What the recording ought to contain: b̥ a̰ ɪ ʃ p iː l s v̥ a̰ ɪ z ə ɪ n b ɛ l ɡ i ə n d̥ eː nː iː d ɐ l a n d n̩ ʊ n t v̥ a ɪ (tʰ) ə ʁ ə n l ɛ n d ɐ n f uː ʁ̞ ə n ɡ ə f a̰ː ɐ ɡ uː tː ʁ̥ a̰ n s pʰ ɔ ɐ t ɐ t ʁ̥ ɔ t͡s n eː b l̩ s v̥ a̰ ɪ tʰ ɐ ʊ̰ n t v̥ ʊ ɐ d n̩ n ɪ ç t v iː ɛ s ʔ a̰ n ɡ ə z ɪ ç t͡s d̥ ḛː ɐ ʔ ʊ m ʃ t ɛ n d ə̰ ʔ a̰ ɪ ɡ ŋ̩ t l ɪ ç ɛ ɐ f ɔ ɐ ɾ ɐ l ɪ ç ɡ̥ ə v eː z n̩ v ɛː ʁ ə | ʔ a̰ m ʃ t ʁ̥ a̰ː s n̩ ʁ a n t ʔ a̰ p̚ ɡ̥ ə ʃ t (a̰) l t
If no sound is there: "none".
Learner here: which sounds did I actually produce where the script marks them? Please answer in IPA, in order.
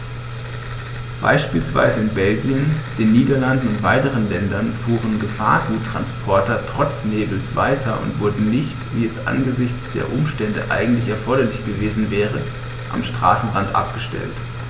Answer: t, ɛ̰

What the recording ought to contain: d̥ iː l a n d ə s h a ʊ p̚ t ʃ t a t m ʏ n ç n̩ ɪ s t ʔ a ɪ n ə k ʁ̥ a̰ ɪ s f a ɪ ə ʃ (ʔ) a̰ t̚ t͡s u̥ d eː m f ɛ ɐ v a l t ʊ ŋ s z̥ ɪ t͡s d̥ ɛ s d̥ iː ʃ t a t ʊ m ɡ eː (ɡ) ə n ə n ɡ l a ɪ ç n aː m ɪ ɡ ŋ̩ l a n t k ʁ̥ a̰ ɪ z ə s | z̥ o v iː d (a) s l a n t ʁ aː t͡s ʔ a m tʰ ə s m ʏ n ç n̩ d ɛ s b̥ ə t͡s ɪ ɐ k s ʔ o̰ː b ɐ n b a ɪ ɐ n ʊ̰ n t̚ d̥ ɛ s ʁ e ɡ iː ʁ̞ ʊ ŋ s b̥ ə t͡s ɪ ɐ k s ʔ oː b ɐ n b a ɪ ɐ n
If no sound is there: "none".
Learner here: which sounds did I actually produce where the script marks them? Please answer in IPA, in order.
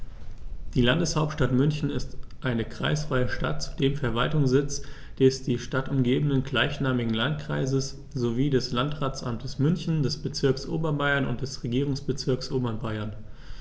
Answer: t, b, ɛ

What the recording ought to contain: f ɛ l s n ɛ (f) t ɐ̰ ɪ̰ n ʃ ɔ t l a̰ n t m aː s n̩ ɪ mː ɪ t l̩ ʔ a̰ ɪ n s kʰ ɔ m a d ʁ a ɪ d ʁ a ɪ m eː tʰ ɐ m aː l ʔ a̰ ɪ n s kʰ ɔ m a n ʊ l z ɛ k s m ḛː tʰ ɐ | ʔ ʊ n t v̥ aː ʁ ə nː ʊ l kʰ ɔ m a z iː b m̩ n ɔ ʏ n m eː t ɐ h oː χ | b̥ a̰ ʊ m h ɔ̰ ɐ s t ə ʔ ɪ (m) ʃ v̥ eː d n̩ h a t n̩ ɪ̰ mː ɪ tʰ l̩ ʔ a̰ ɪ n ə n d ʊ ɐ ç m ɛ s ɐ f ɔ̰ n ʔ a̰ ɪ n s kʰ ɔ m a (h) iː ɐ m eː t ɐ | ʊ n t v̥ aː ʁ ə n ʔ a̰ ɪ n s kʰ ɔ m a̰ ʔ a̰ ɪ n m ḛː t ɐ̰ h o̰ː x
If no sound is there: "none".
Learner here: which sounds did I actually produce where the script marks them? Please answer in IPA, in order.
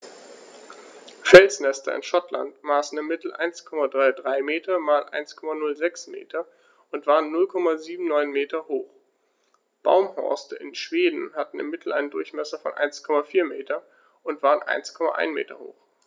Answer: s, n, f

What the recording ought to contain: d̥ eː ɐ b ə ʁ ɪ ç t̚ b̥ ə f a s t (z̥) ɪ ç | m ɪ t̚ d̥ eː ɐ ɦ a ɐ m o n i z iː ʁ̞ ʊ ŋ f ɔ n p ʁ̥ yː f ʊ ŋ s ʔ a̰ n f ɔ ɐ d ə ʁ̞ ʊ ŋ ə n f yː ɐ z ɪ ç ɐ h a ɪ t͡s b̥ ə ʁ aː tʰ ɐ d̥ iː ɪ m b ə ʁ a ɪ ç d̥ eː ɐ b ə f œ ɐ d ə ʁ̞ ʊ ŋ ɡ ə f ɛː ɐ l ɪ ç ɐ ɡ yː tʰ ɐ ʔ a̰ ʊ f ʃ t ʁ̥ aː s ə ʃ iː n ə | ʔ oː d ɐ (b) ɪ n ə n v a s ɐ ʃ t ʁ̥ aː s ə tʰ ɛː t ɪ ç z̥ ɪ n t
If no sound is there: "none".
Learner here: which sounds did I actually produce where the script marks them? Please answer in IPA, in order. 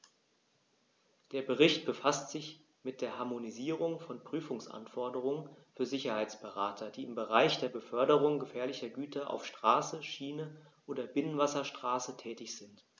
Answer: z̥, b

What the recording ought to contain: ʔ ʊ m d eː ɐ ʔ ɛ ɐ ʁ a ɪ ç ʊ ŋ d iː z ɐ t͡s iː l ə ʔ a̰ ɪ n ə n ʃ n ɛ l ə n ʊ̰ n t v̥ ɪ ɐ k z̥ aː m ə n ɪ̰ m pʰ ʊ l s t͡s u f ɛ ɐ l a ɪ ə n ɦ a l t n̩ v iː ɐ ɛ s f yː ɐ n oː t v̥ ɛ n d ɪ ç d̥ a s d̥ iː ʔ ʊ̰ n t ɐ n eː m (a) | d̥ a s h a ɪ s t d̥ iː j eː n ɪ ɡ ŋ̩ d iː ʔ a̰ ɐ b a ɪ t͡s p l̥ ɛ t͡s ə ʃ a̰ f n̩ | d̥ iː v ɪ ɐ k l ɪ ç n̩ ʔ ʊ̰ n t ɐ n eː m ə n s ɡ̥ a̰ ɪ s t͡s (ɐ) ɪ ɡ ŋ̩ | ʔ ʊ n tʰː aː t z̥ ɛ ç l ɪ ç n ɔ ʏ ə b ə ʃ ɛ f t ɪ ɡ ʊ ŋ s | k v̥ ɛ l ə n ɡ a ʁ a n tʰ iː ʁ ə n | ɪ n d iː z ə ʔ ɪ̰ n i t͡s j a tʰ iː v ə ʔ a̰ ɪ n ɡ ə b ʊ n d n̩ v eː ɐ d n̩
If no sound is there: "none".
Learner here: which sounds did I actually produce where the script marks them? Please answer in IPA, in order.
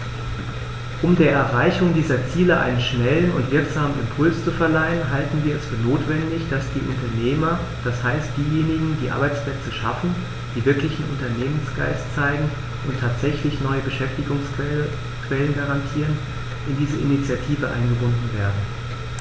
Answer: ɐ, a

